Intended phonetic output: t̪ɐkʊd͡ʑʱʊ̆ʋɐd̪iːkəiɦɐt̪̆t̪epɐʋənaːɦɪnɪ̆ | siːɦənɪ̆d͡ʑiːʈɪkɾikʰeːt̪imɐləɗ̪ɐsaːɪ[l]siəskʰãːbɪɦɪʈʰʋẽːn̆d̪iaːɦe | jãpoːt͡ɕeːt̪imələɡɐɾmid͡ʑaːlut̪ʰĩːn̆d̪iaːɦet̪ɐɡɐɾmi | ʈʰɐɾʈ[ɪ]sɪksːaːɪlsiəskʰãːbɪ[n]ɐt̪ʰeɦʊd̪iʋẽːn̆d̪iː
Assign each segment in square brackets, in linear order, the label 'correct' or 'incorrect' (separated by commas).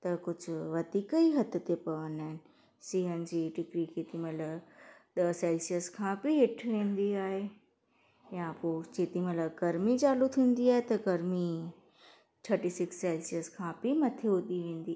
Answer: correct, incorrect, incorrect